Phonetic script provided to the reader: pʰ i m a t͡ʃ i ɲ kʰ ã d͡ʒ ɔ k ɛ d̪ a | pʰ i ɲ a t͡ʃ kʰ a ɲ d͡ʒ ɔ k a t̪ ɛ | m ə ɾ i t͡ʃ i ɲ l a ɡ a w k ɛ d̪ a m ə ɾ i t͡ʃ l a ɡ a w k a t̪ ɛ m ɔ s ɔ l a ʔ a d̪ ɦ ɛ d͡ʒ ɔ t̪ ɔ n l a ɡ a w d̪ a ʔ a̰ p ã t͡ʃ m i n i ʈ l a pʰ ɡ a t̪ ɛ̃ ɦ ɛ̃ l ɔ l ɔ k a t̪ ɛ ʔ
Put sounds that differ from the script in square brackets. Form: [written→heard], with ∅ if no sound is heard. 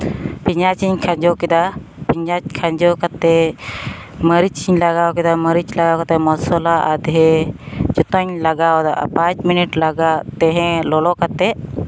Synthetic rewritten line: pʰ i [m→ɲ] a t͡ʃ i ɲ kʰ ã d͡ʒ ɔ k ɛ d̪ a | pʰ i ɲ a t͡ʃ kʰ a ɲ d͡ʒ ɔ k a t̪ ɛ | m ə ɾ i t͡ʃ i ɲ l a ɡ a w k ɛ d̪ a m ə ɾ i t͡ʃ l a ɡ a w k a t̪ ɛ m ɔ s ɔ l a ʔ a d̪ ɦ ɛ d͡ʒ ɔ t̪ ɔ [n→ɲ] l a ɡ a w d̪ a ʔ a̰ p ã t͡ʃ m i n i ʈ l a [pʰ→∅] ɡ a t̪ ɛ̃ ɦ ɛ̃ l ɔ l ɔ k a t̪ ɛ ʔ